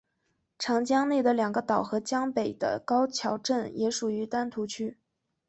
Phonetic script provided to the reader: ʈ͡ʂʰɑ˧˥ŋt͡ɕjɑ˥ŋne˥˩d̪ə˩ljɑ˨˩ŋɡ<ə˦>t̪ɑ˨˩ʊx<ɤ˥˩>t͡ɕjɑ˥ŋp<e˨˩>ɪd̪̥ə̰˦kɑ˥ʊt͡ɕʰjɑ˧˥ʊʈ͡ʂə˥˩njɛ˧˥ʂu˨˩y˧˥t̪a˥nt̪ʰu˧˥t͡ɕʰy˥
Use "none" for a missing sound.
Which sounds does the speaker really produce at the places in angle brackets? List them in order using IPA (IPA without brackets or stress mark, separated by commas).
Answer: ə˦, ɤ˧˥, e˨˩